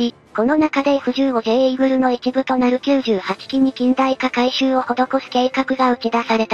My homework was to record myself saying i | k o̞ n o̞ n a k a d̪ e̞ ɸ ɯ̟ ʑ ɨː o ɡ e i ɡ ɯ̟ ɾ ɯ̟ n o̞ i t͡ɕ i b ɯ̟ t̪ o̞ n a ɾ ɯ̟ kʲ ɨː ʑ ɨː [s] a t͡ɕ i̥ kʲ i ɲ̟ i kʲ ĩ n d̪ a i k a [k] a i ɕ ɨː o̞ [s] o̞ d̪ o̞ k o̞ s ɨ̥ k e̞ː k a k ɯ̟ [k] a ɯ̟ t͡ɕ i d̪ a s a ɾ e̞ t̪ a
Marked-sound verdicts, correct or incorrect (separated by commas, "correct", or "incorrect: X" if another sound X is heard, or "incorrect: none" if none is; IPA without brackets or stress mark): incorrect: h, correct, incorrect: h, incorrect: ɡ